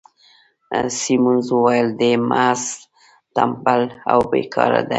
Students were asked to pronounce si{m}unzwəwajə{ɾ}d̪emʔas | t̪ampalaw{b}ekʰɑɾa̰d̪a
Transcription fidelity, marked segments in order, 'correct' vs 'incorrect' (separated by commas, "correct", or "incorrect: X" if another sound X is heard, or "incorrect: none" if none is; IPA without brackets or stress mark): correct, incorrect: l, correct